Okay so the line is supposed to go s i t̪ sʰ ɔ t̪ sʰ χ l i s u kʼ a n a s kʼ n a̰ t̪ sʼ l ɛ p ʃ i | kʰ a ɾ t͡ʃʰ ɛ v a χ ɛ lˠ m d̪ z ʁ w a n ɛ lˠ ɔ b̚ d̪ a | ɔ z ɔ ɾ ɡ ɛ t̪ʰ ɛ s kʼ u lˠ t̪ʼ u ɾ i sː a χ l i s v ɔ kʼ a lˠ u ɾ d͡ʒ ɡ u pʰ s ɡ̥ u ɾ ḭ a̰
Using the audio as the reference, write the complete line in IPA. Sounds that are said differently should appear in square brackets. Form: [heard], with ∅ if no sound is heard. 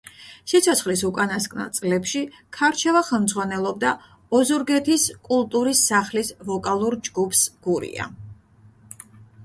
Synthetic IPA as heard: s i t̪ sʰ ɔ t̪ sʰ χ l i s u kʼ a n a s kʼ n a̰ t̪ sʼ l ɛ p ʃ i | kʰ a ɾ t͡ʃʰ ɛ v a χ ɛ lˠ m d̪ z ʁ w a n ɛ lˠ ɔ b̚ d̪ a | ɔ z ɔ ɾ ɡ ɛ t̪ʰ [i] s kʼ u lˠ t̪ʼ u ɾ i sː a χ l i s v ɔ kʼ a lˠ u ɾ d͡ʒ ɡ u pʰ s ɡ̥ u ɾ ḭ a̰